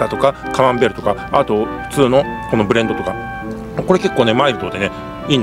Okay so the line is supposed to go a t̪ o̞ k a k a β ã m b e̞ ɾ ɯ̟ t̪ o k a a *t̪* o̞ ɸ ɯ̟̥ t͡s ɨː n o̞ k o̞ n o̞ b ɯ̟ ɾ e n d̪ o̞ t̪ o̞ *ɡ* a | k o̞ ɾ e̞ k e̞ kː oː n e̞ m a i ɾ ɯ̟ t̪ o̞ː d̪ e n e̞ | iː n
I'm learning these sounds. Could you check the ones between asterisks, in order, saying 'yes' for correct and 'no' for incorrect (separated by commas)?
yes, no